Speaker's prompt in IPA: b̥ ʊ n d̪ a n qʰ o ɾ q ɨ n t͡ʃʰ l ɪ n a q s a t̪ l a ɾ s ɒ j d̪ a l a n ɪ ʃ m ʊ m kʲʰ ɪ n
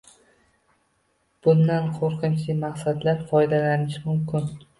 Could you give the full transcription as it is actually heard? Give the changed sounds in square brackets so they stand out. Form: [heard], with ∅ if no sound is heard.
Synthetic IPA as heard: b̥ ʊ n d̪ a n qʰ o ɾ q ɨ n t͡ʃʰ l ɪ [m] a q s a [d̪] l a ɾ [f] ɒ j d̪ a l a n ɪ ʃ m ʊ m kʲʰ ɪ n